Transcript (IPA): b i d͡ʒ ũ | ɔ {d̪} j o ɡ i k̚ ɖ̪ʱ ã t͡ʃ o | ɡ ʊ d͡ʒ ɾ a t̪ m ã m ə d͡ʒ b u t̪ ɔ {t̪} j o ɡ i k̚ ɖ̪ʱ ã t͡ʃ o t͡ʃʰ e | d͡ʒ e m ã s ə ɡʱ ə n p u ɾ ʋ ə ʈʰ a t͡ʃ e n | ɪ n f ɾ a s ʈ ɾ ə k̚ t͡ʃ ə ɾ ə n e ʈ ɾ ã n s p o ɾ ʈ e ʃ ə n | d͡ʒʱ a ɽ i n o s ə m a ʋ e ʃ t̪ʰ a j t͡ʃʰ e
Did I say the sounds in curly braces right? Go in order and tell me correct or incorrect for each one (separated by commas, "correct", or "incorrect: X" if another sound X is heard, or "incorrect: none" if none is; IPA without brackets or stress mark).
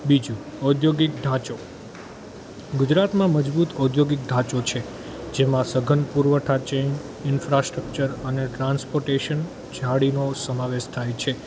correct, incorrect: d̪